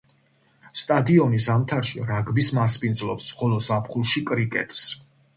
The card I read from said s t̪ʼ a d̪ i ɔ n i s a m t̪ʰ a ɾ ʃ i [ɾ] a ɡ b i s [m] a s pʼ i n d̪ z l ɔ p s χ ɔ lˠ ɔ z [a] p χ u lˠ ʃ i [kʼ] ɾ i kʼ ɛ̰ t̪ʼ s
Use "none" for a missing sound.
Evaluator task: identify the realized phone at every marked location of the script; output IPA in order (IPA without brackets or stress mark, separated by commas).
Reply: ɾ, m, a, kʼ